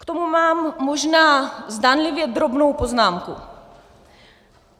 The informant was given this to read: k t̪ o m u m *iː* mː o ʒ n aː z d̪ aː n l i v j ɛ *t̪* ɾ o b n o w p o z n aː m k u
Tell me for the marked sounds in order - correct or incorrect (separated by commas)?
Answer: incorrect, incorrect